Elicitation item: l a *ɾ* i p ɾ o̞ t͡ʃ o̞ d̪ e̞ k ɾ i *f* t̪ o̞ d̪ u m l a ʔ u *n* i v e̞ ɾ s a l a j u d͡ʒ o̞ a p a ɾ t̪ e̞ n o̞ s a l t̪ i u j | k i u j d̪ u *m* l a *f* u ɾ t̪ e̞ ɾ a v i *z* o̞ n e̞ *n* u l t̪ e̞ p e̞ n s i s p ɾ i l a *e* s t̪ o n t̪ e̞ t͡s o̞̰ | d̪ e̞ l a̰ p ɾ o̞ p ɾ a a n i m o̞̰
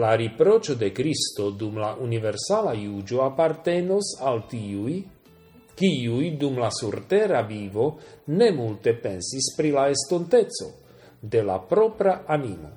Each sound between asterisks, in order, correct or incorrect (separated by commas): correct, incorrect, correct, correct, incorrect, incorrect, incorrect, correct